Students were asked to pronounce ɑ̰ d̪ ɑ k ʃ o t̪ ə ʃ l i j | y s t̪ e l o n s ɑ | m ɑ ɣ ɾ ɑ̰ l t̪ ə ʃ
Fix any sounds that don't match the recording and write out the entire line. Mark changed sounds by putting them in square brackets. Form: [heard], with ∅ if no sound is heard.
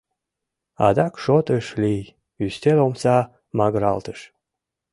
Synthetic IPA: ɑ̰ d̪ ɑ k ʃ o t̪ ə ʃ l i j | y s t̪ e l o [m] s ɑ | m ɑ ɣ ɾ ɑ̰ l t̪ ə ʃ